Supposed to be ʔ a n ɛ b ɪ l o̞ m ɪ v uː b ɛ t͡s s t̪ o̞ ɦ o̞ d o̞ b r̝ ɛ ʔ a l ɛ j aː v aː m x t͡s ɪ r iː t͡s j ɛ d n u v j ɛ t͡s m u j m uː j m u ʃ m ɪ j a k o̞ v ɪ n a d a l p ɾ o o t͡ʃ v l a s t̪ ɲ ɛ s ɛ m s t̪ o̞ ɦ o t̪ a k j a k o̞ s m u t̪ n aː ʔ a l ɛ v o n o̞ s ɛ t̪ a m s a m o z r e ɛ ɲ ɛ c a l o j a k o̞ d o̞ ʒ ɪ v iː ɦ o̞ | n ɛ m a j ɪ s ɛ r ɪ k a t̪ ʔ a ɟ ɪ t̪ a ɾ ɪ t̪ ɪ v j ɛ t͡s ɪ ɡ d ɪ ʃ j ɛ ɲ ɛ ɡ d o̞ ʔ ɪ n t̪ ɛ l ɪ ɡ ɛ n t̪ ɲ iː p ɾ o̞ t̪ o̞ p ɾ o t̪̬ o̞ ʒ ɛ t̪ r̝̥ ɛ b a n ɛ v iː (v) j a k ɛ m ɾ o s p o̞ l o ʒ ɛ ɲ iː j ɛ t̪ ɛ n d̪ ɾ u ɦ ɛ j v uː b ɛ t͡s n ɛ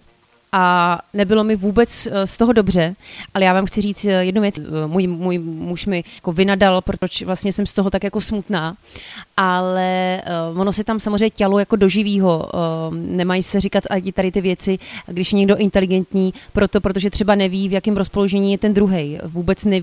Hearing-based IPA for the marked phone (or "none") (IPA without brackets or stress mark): v